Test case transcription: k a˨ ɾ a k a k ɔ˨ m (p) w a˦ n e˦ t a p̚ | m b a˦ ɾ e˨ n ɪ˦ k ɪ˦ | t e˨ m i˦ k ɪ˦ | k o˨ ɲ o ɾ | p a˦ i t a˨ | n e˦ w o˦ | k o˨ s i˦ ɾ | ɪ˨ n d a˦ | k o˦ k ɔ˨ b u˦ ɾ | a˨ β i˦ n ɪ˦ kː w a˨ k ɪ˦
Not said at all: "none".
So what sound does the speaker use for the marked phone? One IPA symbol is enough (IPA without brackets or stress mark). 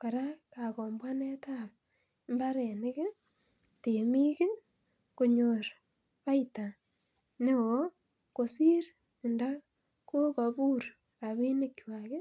b